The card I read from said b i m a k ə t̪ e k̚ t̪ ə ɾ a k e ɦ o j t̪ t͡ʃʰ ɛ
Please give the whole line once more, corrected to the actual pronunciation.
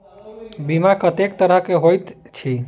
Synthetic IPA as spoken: b i m a k ə t̪ e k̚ t̪ ə ɾ ə k e ɦ o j t̪ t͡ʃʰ i